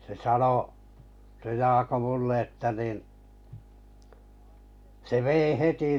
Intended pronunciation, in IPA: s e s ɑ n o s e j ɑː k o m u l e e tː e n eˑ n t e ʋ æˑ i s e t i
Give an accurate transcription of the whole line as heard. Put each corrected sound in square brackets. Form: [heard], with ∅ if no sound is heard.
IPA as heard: s e s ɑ n o s e j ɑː k o m u [lː] e e tː [æ] n [iˑ] n [s] e ʋ [eˑ] i [h] e t i

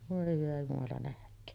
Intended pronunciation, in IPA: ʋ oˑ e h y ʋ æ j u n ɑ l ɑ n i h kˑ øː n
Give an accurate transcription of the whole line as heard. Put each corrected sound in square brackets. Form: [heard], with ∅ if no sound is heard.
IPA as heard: ʋ oˑ e h y ʋ æ j u [m] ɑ l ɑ n [æ] h kˑ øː n

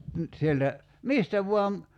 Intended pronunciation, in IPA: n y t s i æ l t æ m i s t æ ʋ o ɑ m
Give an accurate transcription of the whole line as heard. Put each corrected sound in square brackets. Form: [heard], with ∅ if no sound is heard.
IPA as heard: n y t s i [e] l t æ m i s t æ ʋ [u] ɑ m

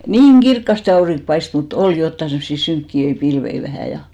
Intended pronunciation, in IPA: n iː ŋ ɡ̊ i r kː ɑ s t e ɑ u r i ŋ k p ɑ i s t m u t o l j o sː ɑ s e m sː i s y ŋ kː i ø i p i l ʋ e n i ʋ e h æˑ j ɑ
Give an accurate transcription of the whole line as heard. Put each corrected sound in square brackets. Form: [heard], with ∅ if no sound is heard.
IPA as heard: n iː ŋ ɡ̊ i r kː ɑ s t e ɑ u r i ŋ k p ɑ i s t m u t o l j o [tː] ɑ s e m sː i s y ŋ kː i ø i p i l ʋ e [∅] i ʋ [æ] h æˑ j ɑ

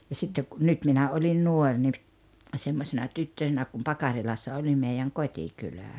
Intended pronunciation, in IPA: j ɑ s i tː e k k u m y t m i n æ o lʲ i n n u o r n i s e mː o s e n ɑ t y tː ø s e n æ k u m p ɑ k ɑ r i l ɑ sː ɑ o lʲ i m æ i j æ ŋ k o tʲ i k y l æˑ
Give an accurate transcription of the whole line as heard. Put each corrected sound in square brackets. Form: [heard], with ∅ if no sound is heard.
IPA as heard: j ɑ s i tː e k k u [n] y t m i n æ o lʲ i n n u o r n i s e mː o s e n ɑ t y tː ø s e n æ k u m p ɑ k ɑ r i l ɑ sː ɑ o lʲ i m [e] i j æ ŋ k o tʲ i k y l æˑ

